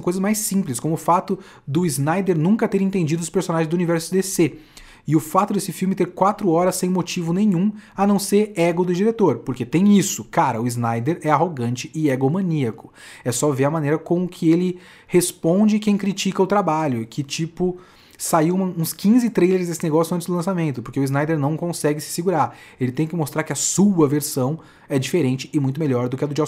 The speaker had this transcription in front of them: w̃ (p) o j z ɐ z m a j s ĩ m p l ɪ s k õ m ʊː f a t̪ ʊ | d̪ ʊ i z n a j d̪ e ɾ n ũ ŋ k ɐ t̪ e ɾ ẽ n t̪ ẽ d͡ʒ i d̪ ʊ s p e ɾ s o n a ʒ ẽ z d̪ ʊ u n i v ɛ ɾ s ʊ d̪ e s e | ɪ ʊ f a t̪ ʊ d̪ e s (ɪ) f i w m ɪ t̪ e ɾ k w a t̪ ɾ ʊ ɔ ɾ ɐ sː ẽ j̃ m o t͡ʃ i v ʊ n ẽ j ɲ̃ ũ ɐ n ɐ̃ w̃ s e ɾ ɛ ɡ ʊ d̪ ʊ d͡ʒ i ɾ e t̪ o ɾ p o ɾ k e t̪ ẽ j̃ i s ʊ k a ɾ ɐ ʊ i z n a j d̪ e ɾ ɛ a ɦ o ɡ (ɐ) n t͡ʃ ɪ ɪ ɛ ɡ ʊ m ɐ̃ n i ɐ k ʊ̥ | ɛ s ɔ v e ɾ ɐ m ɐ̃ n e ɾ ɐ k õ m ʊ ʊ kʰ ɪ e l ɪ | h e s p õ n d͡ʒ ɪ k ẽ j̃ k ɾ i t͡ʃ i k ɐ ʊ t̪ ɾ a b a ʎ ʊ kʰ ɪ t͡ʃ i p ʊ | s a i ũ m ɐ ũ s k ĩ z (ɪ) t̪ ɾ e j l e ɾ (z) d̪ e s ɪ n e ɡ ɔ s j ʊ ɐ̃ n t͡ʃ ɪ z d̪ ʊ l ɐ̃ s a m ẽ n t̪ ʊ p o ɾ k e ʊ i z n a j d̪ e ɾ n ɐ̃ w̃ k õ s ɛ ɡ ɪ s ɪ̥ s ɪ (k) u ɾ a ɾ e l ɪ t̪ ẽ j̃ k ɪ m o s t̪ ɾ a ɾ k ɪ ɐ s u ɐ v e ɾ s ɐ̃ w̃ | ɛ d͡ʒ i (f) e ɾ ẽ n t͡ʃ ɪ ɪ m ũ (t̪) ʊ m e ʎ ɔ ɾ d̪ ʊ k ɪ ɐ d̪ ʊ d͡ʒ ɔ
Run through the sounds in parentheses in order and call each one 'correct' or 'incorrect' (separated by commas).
incorrect, correct, incorrect, correct, correct, incorrect, correct, correct